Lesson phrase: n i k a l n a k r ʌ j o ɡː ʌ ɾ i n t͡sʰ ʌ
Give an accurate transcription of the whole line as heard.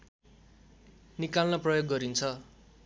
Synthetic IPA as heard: n i k a l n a p r ʌ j o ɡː ʌ ɾ i n t͡sʰ ʌ